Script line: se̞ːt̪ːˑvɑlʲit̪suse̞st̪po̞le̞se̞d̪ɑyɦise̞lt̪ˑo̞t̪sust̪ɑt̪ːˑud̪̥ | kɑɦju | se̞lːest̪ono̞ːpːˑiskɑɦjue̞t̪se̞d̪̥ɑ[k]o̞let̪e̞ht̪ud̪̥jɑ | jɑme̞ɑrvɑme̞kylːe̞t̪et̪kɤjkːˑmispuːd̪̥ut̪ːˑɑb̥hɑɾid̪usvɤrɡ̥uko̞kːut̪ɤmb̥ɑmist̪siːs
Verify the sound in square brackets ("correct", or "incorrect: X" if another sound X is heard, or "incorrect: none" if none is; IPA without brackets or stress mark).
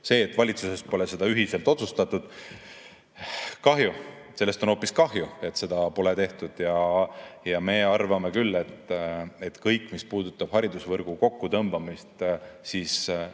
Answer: incorrect: p